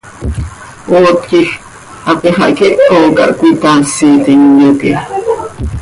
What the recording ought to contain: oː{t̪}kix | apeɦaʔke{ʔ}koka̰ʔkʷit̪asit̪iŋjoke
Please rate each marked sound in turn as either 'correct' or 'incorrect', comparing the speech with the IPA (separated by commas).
correct, correct